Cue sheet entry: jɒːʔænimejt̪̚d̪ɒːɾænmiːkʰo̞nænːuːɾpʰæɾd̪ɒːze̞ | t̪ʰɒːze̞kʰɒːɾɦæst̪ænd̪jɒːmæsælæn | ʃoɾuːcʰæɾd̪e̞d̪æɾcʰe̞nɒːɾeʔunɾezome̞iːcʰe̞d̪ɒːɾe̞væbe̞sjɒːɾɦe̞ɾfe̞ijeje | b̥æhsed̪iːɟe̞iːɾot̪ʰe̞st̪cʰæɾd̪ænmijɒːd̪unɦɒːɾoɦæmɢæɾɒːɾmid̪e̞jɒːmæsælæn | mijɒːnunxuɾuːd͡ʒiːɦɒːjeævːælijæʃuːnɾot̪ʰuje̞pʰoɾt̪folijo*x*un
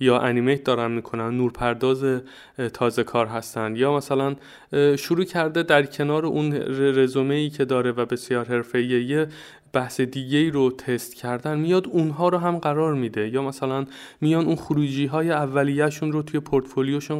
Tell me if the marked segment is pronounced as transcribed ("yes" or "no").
no